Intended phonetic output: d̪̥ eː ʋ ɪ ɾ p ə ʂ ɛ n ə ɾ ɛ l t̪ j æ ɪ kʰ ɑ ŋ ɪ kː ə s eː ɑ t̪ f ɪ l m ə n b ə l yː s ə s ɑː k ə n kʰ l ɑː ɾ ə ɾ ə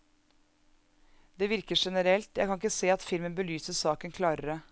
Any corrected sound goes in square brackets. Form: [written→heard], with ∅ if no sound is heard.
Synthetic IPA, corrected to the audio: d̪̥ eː ʋ ɪ ɾ [p→k] ə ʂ ɛ n ə ɾ ɛ l t̪ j æ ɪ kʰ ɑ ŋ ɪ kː ə s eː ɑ t̪ f ɪ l m ə n b ə l yː s ə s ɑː k ə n kʰ l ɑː ɾ ə ɾ ə